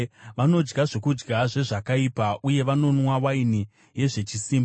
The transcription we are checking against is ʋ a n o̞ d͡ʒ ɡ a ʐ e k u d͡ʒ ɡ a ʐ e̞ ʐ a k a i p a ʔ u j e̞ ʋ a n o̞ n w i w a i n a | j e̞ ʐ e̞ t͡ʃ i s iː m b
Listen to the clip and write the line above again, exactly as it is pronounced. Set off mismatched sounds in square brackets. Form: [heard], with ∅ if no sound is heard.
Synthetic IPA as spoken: ʋ a n o̞ d͡ʒ ɡ a ʐ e k u d͡ʒ ɡ a ʐ e̞ ʐ a k a i p a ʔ u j e̞ ʋ a n o̞ n w [a] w a i n [i] | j e̞ ʐ e̞ t͡ʃ i s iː m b